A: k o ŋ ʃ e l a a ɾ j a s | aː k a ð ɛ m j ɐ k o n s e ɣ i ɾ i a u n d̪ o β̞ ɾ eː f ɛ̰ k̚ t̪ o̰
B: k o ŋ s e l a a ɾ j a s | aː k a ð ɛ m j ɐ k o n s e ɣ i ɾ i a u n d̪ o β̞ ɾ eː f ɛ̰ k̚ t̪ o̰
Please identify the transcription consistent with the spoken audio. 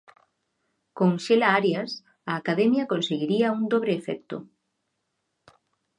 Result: A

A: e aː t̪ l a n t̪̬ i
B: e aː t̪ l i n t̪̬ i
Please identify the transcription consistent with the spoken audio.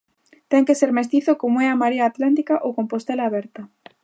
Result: A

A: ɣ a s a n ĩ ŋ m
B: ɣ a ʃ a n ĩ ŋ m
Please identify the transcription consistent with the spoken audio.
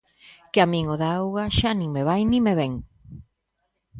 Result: B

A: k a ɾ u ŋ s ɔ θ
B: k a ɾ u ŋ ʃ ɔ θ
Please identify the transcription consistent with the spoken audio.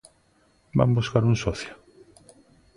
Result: A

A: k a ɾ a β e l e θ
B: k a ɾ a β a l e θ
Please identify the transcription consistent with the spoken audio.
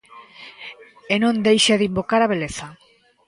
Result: A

